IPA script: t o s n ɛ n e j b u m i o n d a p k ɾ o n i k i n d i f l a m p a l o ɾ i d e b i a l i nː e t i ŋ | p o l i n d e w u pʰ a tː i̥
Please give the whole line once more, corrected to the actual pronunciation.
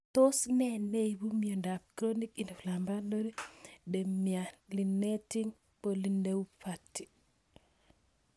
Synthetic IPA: t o s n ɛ n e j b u m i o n d a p k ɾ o n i k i n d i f l a m b a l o ɾ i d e m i a l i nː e t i ŋ | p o l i n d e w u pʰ a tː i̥